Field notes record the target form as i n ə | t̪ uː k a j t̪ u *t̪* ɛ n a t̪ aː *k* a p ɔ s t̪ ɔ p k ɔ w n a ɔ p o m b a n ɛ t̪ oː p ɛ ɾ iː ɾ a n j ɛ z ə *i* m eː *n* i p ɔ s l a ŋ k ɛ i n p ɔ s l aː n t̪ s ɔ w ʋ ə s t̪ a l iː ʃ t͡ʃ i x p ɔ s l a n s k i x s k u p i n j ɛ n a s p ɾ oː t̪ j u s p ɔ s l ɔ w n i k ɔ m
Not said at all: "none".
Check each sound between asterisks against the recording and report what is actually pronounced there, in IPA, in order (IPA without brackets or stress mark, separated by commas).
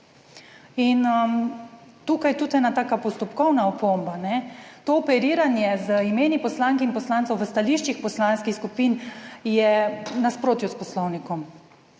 t̪, k, i, n